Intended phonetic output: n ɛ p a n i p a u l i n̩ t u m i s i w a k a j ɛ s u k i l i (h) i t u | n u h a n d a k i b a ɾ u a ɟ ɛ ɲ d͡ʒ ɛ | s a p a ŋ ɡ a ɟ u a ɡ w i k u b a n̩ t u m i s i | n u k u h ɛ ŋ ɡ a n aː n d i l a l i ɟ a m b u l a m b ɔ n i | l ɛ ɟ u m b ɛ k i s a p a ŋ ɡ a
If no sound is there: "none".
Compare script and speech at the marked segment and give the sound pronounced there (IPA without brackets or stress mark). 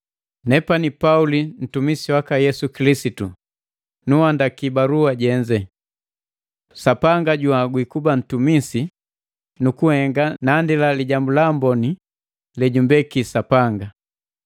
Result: s